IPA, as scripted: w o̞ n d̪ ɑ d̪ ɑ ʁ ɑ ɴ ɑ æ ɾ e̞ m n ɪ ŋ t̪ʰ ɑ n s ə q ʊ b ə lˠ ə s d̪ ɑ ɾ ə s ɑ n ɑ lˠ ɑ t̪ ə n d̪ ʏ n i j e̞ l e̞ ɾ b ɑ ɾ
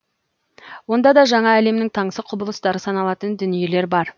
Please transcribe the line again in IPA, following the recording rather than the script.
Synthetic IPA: w o̞ n d̪ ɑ d̪ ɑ ʒ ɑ ɴ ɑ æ l e̞ m n ɪ ŋ t̪ʰ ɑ ɴ s ə qʰ ʊ b ə lˠ ə s t̪ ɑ ɾ ə s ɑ n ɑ lˠ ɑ t̪ ə n d̪ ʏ n i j e̞ l e̞ ɾ b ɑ ɾ